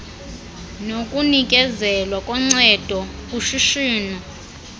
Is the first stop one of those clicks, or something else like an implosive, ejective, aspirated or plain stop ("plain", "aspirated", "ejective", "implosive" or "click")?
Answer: ejective